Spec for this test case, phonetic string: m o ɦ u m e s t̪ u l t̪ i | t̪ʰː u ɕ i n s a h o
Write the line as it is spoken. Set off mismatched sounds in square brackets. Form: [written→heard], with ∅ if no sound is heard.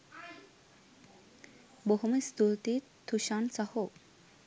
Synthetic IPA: [m→b] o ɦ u m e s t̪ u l t̪ i | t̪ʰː u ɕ [i→a] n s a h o

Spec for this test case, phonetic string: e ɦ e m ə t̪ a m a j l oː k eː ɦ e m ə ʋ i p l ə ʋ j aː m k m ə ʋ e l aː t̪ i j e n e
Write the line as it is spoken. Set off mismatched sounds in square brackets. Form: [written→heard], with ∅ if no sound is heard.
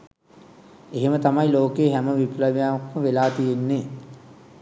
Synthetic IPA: e ɦ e m ə t̪ a m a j l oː k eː ɦ [e→æ] m ə ʋ i p l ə ʋ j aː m k m ə ʋ e l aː t̪ i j e [n→nː] e

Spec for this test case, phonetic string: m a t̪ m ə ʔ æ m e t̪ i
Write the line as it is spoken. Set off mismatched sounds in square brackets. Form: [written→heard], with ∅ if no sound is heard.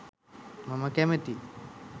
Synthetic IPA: m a [t̪→∅] m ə [ʔ→k] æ m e t̪ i

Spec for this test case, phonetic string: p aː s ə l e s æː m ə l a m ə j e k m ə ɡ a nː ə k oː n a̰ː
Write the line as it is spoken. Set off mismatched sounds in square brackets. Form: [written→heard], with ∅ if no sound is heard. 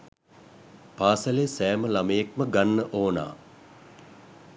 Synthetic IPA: p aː s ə l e s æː m ə l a m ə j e k m ə ɡ a nː ə [k→ʔ] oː n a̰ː

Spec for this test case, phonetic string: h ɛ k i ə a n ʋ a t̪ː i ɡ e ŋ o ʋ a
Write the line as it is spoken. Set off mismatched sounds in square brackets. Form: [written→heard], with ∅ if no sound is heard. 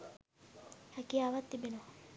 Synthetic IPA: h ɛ k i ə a [n→∅] ʋ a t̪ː i [ɡ→b] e [ŋ→n] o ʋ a

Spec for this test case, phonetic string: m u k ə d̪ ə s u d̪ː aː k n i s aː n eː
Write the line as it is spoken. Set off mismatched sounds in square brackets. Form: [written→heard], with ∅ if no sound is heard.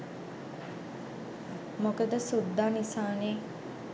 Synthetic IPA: m [u→o] k ə d̪ ə s u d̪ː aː [k→∅] n i s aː n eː

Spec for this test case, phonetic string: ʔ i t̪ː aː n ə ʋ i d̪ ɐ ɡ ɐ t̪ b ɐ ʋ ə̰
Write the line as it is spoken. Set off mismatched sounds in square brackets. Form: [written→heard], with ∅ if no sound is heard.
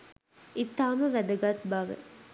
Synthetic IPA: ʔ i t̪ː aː [n→m] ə ʋ [i→æ] d̪ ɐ ɡ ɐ t̪ b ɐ ʋ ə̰

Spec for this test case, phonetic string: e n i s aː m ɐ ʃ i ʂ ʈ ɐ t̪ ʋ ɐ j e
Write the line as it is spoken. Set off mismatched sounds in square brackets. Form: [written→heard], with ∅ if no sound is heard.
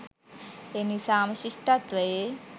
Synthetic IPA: e n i s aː m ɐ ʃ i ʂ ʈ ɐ t̪ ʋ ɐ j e

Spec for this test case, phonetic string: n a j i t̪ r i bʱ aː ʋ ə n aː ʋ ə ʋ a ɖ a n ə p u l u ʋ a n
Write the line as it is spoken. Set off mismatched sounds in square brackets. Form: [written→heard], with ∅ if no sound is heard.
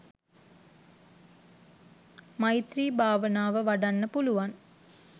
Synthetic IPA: [n→m] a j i t̪ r [i→iː] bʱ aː ʋ ə n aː ʋ ə ʋ a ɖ a [n→nː] ə p u l u ʋ a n

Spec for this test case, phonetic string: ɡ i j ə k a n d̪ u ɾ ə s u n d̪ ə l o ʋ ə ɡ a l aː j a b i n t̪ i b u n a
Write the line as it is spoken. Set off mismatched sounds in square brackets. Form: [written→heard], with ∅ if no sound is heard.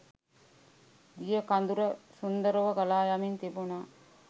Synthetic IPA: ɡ i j ə k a n d̪ u ɾ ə s u n d̪ ə [l→ɾ] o ʋ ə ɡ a l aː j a [b→m] i n t̪ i b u n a

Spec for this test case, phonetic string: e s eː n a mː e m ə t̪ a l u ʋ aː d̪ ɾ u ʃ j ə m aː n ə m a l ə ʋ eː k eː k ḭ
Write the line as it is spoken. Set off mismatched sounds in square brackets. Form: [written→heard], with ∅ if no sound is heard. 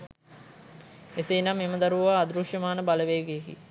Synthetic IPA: e s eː n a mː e m ə [t̪→d̪] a [l→ɾ] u ʋ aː d̪ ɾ u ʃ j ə m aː n ə [m→b] a l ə ʋ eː [k→ɡ] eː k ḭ

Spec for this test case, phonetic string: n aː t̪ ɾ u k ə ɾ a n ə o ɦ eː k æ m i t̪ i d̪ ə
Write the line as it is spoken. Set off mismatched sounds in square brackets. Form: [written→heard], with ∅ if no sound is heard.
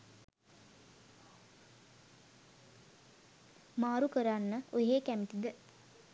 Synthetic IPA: [n→m] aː [t̪→∅] ɾ u k ə ɾ a [n→nː] ə o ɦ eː k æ m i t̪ i d̪ ə

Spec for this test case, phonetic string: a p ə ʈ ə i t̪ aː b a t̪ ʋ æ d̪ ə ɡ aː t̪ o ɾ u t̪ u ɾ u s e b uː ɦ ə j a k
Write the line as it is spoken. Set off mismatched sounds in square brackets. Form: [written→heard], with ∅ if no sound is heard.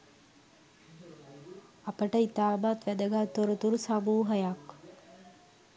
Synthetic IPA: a p ə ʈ ə i t̪ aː b a t̪ ʋ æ d̪ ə ɡ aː t̪ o ɾ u t̪ u ɾ u s [e→a] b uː ɦ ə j a k

